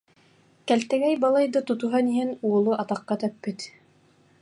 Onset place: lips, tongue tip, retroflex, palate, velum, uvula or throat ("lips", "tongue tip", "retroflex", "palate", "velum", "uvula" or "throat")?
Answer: velum